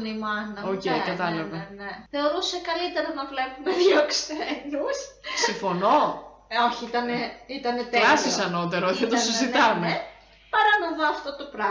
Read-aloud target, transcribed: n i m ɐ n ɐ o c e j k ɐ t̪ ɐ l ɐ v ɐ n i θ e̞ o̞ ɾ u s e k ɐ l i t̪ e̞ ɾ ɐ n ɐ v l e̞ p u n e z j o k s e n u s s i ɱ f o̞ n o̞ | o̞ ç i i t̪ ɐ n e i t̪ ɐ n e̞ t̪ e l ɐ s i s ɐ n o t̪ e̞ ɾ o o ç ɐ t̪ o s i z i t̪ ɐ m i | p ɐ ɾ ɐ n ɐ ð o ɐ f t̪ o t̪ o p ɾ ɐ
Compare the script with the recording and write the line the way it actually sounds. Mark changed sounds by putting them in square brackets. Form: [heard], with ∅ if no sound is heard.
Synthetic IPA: n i m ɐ n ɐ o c e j k ɐ t̪ ɐ l ɐ v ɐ n [e] θ e̞ o̞ ɾ u s e k ɐ l i t̪ e̞ ɾ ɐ n ɐ v l e̞ p u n e [ð] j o k s e n u s s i ɱ f o̞ n o̞ | o̞ ç i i t̪ ɐ n e i t̪ ɐ n e̞ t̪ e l ɐ s i s ɐ n o t̪ e̞ ɾ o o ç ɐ t̪ o s i z i t̪ ɐ m [e] | p ɐ ɾ ɐ n ɐ ð o ɐ f t̪ o t̪ o p ɾ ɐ